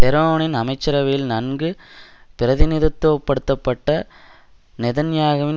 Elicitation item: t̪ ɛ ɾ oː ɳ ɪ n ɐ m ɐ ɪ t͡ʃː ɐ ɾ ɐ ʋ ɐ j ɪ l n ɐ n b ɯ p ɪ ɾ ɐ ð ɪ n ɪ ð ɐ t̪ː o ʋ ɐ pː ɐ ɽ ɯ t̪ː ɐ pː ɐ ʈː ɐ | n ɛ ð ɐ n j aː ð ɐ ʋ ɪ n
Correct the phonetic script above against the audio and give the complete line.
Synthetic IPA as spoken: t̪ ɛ ɾ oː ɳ ɪ n ɐ m ɐ ɪ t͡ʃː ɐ ɾ ɐ ʋ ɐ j ɪ l n ɐ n ɡ ɯ p ɪ ɾ ɐ ð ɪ n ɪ ð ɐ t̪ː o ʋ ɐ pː ɐ ɽ ɯ t̪ː ɐ pː ɐ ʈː ɐ | n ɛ ð ɐ n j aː ɣ ɐ ʋ ɪ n